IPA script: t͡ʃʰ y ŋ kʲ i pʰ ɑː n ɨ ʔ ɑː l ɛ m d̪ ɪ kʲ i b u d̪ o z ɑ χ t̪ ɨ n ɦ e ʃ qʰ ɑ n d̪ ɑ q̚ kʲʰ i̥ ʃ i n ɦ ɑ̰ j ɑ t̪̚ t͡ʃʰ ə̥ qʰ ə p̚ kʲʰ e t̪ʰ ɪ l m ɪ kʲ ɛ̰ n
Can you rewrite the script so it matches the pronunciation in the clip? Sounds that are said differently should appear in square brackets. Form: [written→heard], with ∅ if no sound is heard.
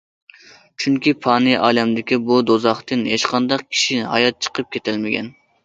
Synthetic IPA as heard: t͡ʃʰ y ŋ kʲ i pʰ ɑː n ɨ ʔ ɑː l ɛ m d̪ ɪ kʲ i b u d̪ o z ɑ χ t̪ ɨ n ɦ e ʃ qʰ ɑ n d̪ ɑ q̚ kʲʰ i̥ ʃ i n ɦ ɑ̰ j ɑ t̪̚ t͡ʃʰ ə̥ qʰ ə p̚ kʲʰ e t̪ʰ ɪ l m ɪ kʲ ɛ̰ n